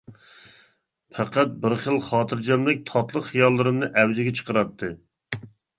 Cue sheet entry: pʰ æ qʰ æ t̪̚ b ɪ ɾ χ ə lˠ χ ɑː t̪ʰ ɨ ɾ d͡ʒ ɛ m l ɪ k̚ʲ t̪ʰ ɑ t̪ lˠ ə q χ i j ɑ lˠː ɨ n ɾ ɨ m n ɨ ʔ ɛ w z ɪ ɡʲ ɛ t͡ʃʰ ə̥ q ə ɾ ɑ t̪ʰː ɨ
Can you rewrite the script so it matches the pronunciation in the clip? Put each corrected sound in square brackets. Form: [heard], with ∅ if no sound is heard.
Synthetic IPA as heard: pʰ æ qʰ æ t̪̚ b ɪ ɾ χ ə lˠ χ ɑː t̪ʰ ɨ ɾ d͡ʒ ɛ m l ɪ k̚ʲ t̪ʰ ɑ t̪ lˠ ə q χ i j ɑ lˠː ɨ [∅] ɾ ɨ m n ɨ ʔ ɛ w z ɪ ɡʲ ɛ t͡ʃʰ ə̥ q ə ɾ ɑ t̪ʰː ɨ